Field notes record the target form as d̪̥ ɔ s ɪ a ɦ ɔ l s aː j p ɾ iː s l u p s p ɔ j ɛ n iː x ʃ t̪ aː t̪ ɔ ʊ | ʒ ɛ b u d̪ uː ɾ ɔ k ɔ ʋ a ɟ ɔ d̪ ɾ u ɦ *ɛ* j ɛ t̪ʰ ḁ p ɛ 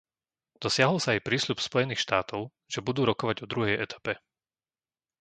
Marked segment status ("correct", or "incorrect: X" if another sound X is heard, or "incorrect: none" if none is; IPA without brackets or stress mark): correct